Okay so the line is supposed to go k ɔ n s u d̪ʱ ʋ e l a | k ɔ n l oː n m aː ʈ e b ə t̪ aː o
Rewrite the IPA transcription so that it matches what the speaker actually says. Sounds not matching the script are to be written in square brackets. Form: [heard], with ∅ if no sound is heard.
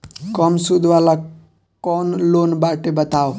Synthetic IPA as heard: k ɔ [m] s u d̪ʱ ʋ [a] l a | k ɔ n l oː n [b] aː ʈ e b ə t̪ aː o